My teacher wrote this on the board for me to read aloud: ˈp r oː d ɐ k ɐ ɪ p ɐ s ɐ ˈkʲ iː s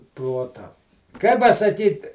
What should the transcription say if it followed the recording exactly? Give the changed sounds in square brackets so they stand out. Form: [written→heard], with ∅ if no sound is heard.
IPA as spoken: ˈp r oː [d→t] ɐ k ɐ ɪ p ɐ s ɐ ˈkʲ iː [s→t]